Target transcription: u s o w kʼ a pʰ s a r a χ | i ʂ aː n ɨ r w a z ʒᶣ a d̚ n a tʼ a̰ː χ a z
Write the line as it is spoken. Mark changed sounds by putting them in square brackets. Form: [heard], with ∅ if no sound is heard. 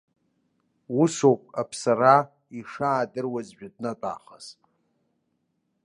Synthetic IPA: u s o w [pʼ] a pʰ s a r a [∅] | i ʂ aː [d] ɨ r w a z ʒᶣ a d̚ n a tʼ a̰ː χ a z